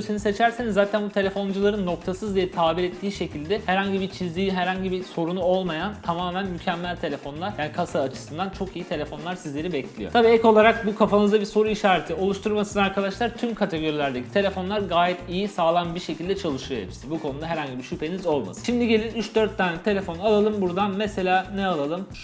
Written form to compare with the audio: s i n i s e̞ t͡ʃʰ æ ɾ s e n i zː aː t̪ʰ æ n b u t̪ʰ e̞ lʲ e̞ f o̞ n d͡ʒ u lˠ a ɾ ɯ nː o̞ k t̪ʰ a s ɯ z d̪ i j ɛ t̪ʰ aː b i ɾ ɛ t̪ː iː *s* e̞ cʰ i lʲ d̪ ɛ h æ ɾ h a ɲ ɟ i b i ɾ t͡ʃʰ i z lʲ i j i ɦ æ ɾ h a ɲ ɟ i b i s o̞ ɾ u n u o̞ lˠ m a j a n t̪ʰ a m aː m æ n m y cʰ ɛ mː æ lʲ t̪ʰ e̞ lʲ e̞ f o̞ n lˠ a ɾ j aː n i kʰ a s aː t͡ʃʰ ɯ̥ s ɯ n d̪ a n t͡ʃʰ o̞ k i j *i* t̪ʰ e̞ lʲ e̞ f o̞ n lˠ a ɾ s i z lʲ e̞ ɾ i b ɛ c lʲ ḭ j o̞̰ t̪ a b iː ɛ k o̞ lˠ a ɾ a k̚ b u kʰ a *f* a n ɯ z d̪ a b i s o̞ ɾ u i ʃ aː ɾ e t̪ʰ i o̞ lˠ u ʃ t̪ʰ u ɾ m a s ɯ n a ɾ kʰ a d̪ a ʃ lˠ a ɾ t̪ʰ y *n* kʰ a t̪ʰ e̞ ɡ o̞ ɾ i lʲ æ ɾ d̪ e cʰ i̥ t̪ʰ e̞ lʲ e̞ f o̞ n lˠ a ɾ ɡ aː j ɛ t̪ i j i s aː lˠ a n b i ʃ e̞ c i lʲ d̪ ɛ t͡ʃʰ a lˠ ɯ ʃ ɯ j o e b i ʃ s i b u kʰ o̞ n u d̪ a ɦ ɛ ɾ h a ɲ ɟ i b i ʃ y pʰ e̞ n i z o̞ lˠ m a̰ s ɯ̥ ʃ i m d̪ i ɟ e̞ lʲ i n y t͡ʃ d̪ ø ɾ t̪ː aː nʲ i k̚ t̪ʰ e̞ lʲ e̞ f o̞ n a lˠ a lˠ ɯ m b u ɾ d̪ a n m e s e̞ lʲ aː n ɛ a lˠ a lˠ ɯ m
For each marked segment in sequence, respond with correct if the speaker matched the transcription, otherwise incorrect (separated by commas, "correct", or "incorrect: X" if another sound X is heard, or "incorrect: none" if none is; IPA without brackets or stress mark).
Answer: incorrect: ʃ, correct, correct, incorrect: m